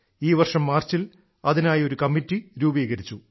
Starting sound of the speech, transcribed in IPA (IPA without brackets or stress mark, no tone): iː